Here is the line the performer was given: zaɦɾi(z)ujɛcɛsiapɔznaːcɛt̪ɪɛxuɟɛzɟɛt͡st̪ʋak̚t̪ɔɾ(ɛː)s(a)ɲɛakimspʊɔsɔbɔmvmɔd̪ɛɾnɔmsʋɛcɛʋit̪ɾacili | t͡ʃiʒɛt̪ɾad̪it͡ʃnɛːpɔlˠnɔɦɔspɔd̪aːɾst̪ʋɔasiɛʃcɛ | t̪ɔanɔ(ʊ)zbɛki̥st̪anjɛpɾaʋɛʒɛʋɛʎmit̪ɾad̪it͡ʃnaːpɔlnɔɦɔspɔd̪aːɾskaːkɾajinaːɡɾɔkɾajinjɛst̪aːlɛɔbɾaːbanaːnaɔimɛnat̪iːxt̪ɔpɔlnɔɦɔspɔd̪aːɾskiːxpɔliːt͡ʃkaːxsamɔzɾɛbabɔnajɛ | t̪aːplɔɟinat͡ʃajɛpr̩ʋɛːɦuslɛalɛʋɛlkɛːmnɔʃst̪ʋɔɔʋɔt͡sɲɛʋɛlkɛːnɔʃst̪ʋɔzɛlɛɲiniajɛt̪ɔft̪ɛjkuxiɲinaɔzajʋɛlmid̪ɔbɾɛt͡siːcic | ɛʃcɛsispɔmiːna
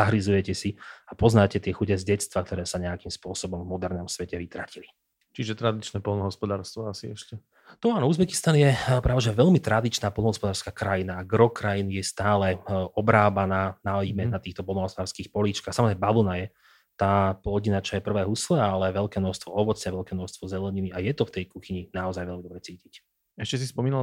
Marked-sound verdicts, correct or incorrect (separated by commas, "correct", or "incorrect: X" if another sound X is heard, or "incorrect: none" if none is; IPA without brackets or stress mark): correct, correct, correct, incorrect: u